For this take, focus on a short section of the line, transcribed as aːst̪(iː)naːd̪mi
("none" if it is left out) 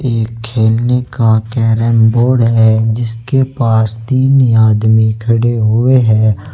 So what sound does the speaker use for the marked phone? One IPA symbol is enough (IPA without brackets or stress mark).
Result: iː